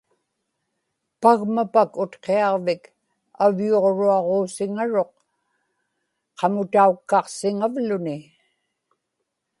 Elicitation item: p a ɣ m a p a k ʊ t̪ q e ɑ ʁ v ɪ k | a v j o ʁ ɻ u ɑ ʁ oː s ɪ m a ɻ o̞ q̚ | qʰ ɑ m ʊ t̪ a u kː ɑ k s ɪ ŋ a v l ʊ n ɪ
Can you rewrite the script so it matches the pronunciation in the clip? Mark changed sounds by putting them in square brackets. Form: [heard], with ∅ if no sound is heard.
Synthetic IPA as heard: p a ɣ m a p a k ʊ t̪ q e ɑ ʁ v ɪ k | a v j o ʁ ɻ u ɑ ʁ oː s ɪ [ŋ] a ɻ o̞ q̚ | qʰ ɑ m ʊ t̪ a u kː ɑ [q] s ɪ ŋ a v l ʊ n ɪ